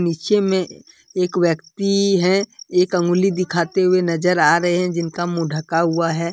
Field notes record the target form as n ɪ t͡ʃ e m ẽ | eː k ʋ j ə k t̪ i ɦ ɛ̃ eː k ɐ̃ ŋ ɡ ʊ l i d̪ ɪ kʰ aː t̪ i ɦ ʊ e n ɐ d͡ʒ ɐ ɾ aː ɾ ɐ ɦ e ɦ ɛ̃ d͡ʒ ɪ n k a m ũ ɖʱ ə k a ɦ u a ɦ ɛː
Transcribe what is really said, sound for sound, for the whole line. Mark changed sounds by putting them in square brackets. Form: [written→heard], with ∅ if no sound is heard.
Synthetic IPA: n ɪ t͡ʃ e m ẽ | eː k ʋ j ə k t̪ i ɦ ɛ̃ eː k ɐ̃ ŋ ɡ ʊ l i d̪ ɪ kʰ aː t̪ [i→e] ɦ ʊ e n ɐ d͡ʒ [ɐ→ə] ɾ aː ɾ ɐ ɦ e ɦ ɛ̃ d͡ʒ ɪ n k a m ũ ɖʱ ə k a ɦ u a ɦ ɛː